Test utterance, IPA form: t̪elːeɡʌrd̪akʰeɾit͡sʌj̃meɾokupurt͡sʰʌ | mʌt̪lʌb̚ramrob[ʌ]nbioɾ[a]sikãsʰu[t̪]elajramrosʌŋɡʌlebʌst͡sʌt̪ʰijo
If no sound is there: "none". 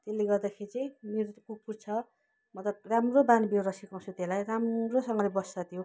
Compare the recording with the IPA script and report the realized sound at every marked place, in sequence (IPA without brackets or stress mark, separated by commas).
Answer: a, ʌ, t̪